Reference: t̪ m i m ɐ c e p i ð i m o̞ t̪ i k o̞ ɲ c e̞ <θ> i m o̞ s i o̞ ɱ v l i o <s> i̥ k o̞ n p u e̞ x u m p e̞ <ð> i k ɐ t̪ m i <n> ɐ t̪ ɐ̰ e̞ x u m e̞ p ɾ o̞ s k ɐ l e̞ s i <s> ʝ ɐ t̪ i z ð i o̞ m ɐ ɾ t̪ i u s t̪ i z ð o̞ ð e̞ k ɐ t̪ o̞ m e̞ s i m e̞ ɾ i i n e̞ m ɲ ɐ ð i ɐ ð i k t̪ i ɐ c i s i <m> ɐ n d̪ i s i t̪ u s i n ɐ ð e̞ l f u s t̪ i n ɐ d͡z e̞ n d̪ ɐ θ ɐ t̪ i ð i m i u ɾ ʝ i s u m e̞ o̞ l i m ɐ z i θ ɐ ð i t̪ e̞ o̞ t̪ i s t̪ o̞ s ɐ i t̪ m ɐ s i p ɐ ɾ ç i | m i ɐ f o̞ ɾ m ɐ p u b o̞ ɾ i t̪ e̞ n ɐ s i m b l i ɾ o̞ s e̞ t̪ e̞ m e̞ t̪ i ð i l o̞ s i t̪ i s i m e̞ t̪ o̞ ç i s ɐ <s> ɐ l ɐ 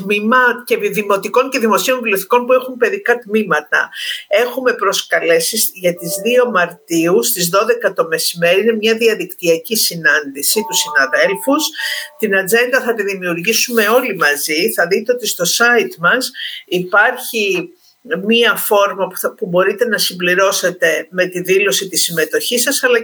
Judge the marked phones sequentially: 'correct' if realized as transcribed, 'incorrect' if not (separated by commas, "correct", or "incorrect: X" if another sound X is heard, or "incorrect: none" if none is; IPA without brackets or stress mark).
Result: incorrect: ð, incorrect: θ, correct, incorrect: m, correct, incorrect: n, correct